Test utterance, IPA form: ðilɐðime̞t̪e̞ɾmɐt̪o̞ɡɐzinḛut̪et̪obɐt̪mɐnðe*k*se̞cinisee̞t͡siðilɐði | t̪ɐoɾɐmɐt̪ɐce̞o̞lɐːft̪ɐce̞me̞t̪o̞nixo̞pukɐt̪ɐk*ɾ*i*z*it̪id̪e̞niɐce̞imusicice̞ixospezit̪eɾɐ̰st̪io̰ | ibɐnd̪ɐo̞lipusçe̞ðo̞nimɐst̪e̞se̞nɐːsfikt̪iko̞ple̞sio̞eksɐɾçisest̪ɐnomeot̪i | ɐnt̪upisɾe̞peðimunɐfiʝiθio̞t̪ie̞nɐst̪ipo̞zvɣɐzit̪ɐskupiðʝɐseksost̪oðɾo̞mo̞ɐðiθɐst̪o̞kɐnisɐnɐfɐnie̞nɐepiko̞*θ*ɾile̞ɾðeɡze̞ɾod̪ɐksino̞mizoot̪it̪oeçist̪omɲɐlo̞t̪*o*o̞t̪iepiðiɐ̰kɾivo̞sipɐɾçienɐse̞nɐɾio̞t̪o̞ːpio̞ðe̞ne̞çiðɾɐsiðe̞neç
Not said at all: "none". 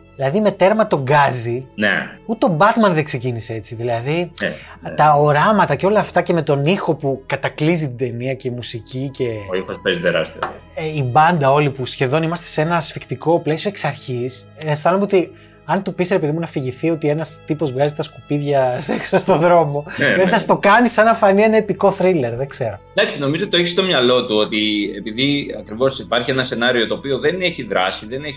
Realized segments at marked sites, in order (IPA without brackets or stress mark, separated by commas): k, l, z, θ, u